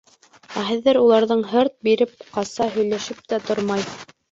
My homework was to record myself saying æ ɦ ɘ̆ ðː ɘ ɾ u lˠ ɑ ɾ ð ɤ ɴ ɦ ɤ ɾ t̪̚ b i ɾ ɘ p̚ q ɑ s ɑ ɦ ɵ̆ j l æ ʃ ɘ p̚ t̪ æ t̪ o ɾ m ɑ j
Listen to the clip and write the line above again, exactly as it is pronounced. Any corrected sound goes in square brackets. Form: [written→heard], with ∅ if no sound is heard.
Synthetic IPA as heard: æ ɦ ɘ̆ ðː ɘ ɾ u lˠ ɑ ɾ ð ɤ ɴ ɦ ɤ ɾ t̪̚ b i ɾ ɘ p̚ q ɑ s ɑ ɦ ɵ̆ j l æ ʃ ɘ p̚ t̪ æ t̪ o ɾ m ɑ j